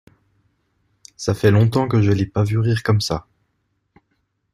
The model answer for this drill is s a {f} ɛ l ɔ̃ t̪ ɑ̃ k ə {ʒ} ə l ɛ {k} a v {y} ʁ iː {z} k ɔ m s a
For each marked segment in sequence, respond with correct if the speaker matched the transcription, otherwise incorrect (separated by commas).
correct, correct, incorrect, correct, incorrect